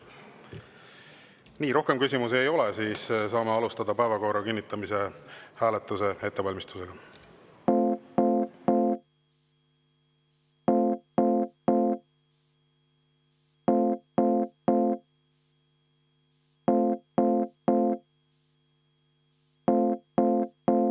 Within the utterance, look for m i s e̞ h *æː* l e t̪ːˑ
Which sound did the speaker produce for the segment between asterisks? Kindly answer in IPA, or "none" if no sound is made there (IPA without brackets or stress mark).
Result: æː